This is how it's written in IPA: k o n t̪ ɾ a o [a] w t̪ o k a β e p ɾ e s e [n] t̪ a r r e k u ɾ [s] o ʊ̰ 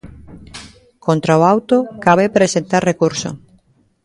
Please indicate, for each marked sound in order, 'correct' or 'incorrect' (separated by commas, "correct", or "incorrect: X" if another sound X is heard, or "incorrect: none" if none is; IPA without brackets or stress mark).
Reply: correct, correct, correct